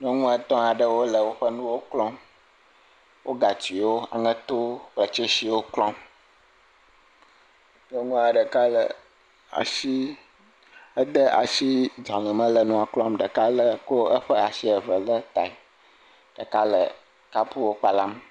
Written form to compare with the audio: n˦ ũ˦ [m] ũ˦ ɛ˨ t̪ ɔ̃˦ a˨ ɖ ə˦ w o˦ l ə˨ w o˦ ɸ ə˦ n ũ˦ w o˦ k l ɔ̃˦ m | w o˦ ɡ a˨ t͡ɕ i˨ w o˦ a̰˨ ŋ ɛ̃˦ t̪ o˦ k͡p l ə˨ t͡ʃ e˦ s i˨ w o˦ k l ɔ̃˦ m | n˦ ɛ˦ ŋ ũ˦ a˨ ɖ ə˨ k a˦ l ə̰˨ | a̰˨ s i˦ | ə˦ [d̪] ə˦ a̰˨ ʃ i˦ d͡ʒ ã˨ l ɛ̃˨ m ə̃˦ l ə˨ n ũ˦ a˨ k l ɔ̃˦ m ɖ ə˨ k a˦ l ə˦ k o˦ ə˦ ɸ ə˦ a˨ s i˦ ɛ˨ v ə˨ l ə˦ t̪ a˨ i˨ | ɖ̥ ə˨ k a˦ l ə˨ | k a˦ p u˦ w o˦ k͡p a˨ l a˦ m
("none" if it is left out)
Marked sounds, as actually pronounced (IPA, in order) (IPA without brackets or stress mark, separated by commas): ŋ, d̪